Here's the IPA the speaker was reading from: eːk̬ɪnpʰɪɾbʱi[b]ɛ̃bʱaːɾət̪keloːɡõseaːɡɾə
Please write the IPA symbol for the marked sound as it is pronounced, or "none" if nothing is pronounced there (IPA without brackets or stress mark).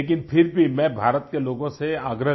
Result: m